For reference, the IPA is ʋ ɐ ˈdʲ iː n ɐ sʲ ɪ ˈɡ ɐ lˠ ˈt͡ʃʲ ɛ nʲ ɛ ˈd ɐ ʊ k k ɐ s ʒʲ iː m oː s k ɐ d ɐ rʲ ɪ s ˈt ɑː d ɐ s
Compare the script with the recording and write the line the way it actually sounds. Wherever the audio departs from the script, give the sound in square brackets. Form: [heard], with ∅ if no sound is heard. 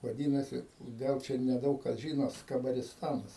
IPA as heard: ʋ ɐ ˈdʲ iː n ɐ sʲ ɪ ˈɡ ɐ lˠ ˈt͡ʃʲ ɛ nʲ ɛ ˈd ɐ ʊ k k ɐ s ʒʲ iː [n] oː s k ɐ [b] ɐ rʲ ɪ s ˈt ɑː [n] ɐ s